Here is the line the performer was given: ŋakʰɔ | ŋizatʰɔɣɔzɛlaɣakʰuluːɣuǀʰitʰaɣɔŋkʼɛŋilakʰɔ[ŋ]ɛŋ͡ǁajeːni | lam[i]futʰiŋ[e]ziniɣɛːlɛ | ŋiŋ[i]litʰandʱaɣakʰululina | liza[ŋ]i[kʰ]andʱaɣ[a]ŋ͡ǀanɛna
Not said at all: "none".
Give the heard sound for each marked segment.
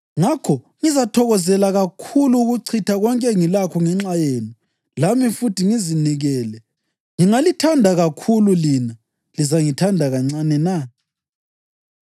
ŋ, i, i, a, ŋ, tʰ, a

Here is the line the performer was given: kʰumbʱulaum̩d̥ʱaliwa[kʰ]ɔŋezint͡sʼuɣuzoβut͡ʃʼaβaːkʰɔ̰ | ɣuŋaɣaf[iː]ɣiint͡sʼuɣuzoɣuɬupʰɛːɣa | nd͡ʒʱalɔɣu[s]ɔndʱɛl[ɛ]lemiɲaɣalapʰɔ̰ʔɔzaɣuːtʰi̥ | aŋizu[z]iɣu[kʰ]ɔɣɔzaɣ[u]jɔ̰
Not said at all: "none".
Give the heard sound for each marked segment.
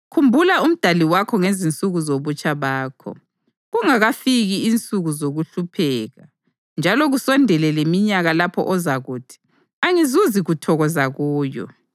kʰ, i, s, ɛ, z, tʰ, uː

